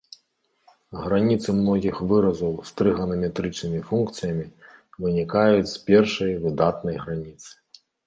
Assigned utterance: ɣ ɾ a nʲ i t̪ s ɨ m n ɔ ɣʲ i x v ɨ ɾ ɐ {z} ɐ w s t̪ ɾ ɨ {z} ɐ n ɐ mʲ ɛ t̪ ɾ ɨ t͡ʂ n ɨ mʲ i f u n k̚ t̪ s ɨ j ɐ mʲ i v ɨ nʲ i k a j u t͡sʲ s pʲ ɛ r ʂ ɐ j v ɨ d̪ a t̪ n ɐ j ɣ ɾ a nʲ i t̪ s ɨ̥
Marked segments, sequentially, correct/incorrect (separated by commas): correct, incorrect